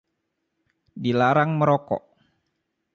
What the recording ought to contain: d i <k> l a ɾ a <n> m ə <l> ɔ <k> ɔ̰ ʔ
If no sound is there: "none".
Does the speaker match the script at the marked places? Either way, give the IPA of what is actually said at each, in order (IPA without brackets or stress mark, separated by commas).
none, ŋ, ɾ, k